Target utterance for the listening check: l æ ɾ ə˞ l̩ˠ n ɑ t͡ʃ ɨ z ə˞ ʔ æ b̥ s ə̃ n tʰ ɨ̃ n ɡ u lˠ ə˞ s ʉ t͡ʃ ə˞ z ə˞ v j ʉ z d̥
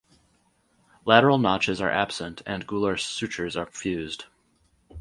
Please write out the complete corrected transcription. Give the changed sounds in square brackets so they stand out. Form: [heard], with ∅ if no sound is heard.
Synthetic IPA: l æ ɾ ə˞ l̩ˠ n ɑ t͡ʃ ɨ z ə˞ ʔ æ b̥ s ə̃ n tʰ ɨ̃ n ɡ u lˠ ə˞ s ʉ t͡ʃ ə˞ z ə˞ [f] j ʉ z d̥